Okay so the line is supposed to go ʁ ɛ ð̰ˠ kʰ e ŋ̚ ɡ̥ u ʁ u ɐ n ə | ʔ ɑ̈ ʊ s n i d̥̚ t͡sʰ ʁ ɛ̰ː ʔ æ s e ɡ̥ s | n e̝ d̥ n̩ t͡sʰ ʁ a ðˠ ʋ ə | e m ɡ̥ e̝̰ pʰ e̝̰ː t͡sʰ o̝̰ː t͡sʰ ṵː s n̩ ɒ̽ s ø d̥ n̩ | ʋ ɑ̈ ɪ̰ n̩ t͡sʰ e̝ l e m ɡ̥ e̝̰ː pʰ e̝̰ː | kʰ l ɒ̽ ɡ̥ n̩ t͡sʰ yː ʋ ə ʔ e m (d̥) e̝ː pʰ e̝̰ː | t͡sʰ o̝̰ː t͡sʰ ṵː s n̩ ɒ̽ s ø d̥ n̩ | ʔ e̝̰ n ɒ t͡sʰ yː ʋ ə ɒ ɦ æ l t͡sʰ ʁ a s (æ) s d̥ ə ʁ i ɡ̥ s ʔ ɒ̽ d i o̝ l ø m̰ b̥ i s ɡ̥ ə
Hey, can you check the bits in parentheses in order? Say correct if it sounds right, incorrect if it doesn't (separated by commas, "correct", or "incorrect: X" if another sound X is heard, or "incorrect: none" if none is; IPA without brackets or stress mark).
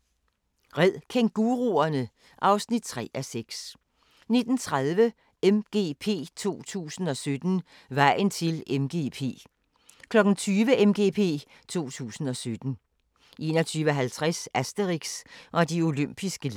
incorrect: ɡ̥, correct